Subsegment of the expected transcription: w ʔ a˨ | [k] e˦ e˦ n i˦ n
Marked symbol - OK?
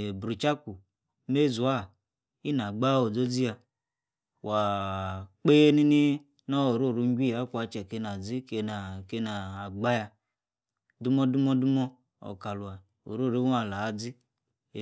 no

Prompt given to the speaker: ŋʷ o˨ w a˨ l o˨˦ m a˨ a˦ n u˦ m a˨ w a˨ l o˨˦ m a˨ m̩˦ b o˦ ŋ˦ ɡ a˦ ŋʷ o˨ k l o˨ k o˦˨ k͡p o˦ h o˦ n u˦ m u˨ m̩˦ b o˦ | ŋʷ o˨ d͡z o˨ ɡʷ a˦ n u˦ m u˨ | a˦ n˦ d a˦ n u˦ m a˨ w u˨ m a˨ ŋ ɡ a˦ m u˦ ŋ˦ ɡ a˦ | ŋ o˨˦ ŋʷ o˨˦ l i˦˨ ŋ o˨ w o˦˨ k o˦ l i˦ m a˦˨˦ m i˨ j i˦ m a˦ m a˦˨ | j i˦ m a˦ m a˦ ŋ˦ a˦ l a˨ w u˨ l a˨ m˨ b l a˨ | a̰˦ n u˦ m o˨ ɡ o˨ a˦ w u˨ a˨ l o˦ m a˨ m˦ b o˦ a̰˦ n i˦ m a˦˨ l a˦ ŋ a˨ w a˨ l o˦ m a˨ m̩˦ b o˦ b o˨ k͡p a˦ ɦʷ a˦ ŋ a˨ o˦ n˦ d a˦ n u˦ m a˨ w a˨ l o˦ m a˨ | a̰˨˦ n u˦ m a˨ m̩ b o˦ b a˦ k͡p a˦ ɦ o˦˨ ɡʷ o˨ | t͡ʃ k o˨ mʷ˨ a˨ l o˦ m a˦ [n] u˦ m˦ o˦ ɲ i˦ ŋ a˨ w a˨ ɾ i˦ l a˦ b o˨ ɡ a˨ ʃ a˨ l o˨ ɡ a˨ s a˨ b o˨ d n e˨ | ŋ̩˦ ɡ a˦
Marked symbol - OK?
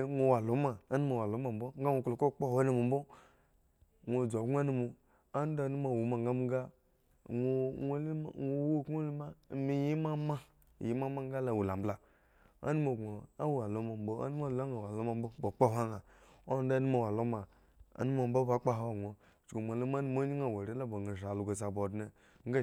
yes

